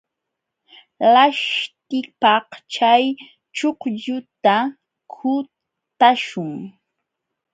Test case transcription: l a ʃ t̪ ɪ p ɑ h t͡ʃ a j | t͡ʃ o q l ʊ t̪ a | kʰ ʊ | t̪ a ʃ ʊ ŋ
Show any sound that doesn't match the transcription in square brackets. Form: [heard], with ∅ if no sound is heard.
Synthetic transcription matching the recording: l a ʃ t̪ ɪ p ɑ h t͡ʃ a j | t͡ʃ o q [ʎ] ʊ t̪ a | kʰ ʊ | t̪ a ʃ ʊ ŋ